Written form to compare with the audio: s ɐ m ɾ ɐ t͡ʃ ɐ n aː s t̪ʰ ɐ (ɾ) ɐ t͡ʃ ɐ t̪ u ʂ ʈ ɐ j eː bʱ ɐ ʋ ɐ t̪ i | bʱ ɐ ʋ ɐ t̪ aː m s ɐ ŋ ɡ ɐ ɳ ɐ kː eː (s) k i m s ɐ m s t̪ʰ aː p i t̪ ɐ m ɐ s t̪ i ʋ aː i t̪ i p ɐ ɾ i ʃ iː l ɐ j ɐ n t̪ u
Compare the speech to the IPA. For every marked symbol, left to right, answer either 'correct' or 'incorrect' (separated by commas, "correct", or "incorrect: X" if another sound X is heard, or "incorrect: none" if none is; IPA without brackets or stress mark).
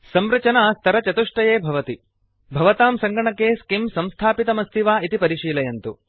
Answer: correct, correct